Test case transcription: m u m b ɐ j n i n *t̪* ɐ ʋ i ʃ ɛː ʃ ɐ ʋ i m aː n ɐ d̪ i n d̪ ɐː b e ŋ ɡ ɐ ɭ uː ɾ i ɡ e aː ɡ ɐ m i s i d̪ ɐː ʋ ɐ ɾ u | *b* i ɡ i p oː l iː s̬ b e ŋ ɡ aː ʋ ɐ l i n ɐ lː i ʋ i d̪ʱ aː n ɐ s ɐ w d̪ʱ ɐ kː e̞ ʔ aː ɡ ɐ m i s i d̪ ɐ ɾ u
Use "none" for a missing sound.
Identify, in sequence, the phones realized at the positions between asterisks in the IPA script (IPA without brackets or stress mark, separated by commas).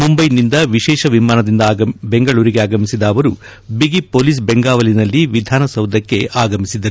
d̪, b